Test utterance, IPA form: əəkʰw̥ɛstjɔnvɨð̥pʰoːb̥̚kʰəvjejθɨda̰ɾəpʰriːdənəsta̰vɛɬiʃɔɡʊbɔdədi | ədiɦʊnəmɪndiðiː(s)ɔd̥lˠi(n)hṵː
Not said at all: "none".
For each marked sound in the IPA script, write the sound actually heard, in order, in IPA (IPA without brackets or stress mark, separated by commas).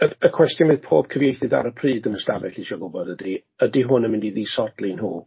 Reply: s, n